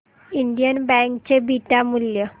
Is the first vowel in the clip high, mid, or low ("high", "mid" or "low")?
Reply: high